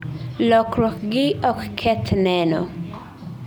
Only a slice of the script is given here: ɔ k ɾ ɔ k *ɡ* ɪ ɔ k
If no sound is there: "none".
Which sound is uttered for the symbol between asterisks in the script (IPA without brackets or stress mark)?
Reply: ɡ